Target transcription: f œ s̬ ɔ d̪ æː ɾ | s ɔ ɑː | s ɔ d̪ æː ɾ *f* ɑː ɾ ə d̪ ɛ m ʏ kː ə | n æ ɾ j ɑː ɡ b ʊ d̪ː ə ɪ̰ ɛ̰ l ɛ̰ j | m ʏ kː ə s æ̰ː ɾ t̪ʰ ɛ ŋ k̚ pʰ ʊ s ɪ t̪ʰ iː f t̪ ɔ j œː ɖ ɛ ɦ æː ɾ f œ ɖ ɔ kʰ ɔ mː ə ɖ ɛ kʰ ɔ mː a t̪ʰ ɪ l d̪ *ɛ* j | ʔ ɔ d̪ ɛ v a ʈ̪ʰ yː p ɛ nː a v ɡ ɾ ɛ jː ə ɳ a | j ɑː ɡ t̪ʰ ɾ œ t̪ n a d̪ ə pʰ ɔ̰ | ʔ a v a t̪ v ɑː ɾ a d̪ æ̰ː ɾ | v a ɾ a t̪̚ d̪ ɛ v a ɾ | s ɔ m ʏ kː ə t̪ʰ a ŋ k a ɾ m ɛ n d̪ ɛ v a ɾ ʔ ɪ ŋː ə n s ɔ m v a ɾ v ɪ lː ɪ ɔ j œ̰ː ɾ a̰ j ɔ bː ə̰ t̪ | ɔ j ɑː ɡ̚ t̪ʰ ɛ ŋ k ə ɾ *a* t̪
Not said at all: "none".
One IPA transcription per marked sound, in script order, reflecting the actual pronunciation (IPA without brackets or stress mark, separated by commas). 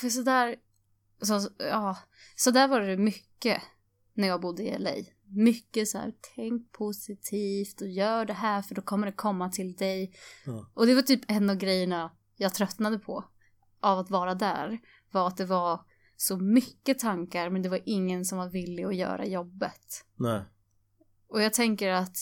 v, ɛ, a